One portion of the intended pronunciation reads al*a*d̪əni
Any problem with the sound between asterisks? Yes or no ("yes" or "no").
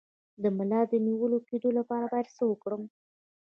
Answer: yes